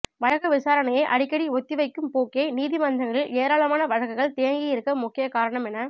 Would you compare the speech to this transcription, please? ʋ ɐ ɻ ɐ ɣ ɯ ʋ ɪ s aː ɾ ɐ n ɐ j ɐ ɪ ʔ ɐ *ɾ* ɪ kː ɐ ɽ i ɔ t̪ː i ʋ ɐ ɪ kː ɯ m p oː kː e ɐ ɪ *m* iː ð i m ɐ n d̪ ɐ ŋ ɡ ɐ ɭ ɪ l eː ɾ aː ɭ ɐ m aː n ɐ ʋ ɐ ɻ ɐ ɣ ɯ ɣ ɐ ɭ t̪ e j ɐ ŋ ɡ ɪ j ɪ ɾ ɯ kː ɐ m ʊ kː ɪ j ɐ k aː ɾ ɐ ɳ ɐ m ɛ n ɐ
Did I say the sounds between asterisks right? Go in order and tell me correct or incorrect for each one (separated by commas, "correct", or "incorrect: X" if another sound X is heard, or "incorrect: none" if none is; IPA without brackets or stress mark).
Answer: incorrect: ɽ, incorrect: n